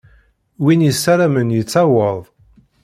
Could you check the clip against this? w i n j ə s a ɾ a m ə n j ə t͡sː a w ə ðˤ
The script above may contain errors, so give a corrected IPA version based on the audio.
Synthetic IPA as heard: w i n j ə s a ɾ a m ə n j ə t͡sː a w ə ðˤ